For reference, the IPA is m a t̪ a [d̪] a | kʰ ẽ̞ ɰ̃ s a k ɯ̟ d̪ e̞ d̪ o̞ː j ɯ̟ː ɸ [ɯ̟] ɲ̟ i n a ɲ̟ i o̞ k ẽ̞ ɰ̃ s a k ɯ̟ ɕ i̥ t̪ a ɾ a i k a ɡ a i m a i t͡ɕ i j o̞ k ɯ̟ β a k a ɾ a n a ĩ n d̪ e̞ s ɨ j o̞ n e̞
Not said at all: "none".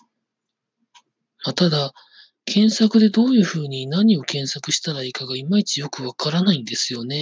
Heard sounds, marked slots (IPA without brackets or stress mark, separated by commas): d̪, ɯ̟ː